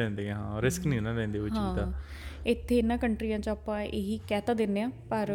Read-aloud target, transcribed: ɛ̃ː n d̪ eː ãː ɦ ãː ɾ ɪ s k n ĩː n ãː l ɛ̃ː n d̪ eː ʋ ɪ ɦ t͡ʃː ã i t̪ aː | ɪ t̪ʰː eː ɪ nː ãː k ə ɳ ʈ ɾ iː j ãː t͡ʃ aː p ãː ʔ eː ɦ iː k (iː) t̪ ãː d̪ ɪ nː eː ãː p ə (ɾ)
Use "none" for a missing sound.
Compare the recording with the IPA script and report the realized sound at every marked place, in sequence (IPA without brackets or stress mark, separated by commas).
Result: ɛː, ɾ